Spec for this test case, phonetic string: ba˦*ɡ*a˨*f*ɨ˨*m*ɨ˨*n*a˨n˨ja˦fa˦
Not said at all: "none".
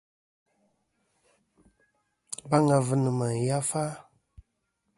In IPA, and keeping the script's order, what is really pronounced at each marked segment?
ŋ, v, n, m

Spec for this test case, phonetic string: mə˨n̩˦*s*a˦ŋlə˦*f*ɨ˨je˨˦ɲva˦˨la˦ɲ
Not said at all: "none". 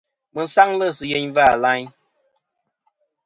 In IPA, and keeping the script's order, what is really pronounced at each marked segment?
s, s

